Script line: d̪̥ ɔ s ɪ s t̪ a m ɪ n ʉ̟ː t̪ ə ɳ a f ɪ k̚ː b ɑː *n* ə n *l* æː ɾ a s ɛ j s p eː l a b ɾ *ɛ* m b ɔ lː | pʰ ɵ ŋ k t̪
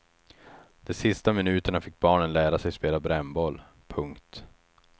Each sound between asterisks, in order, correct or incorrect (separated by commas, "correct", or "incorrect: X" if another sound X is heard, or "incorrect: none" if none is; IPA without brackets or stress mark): incorrect: ɳ, correct, correct